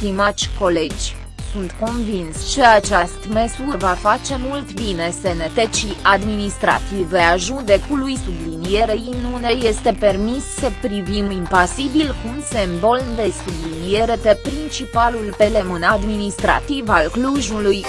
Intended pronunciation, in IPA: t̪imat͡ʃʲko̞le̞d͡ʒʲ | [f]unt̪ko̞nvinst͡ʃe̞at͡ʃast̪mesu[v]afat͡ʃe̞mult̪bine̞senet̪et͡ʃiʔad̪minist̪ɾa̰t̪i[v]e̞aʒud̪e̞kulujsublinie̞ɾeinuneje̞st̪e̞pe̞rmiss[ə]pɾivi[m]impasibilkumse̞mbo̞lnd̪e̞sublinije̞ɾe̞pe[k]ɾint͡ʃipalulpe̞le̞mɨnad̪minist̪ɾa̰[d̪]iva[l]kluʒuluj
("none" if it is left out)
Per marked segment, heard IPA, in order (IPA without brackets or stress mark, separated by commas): s, v, v, ə, m, p, t̪, l